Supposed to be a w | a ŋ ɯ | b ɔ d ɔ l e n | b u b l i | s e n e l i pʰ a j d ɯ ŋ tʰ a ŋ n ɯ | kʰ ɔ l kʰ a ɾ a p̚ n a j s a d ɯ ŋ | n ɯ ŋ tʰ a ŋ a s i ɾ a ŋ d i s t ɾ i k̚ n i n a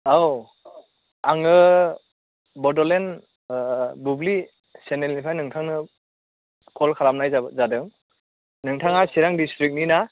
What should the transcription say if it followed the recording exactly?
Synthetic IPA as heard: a w | a ŋ ɯ | b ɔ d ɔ l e n | b u b l i | s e n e l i pʰ a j n ɯ ŋ tʰ a ŋ n ɯ | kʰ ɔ l kʰ a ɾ a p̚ n a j z a d ɯ ŋ | n ɯ ŋ tʰ a ŋ a s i ɾ a ŋ d i s t ɾ i k̚ n i n a